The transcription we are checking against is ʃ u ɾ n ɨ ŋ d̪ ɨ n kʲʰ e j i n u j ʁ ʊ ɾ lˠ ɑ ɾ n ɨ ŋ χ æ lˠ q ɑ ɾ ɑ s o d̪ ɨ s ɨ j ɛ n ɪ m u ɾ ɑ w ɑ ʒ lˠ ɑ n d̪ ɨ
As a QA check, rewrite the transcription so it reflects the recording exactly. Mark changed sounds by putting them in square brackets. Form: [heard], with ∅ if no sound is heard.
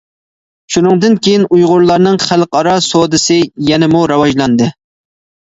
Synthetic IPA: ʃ u [∅] n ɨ ŋ d̪ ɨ n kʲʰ e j i n u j ʁ ʊ ɾ lˠ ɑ ɾ n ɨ ŋ χ æ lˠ q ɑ ɾ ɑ s o d̪ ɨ s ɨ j ɛ n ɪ m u ɾ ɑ w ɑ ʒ lˠ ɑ n d̪ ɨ